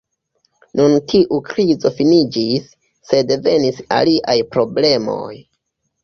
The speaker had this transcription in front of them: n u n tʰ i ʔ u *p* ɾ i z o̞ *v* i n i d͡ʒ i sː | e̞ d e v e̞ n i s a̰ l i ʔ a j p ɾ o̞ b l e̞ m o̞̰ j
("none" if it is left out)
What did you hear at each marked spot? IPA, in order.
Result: k, f

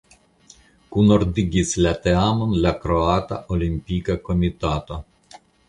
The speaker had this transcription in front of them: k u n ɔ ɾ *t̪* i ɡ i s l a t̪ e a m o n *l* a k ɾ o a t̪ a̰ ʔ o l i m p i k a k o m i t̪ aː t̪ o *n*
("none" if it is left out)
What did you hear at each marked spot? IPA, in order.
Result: d̪, l, none

